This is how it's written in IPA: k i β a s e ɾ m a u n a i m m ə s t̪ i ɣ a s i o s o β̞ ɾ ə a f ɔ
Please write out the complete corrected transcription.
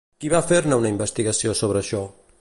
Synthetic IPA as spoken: k i β a f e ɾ n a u n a i m b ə s t̪ i ɣ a s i o s o β̞ ɾ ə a ʃ ɔ

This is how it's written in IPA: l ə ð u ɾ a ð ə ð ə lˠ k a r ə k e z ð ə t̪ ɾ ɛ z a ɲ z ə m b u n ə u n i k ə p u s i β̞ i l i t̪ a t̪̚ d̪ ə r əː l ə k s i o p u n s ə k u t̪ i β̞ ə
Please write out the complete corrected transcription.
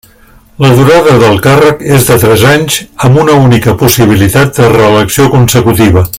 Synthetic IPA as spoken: l ə ð u ɾ a ð ə ð ə lˠ k a r ə k e z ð ə t̪ ɾ ɛ z a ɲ z ə m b u n ə u n i k ə p u s i β̞ i l i t̪ a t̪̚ d̪ ə r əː l ə k s i o k u n s ə k u t̪ i β̞ ə

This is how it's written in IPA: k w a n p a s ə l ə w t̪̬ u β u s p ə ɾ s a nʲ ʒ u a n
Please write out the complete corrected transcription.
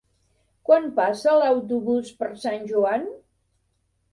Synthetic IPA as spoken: k w a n p a s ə l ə w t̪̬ u β u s p ə ɾ s a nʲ ʒ u a n

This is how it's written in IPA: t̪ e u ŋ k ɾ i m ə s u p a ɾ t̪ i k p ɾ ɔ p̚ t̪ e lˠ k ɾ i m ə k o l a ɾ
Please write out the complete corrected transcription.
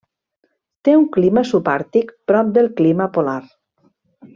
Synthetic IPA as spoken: t̪ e u ŋ k l i m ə s u p a ɾ t̪ i k p ɾ ɔ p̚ d̪ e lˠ k l i m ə p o l a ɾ

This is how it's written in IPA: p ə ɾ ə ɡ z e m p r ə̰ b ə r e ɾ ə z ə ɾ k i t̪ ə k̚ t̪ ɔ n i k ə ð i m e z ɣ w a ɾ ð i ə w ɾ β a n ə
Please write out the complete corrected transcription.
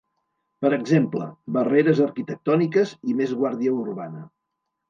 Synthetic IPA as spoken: p ə ɾ ə ɡ z e m p l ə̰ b ə r e ɾ ə z ə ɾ k i t̪ ə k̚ t̪ ɔ n i k ə z i m e z ɣ w a ɾ ð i ə u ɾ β a n ə

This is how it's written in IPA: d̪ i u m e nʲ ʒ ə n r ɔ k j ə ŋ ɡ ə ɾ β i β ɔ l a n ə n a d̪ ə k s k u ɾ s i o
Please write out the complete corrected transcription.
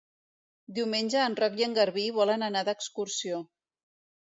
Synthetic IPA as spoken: d̪ i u m e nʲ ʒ əː n r ɔ k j ə ŋ ɡ ə ɾ β i β ɔ l ə n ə n a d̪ ə k s k u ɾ s i o

